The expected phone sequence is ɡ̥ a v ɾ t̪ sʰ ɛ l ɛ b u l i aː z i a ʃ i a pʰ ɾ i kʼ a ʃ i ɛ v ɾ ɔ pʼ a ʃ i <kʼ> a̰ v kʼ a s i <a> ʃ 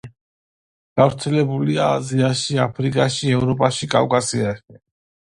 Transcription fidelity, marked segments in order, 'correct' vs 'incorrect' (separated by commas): correct, correct